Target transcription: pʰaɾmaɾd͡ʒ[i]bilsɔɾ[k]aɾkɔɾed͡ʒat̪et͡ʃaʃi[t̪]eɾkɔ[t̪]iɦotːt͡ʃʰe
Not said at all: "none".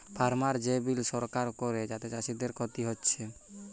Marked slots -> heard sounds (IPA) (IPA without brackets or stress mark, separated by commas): e, k, d̪, t̪